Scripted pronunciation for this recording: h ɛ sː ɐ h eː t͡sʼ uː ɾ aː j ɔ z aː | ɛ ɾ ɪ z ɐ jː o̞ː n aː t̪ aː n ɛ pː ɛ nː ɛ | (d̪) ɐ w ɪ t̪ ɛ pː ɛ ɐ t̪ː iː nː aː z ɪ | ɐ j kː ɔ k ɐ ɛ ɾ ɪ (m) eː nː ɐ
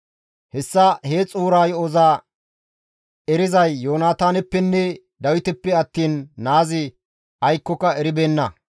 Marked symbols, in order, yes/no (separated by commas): yes, no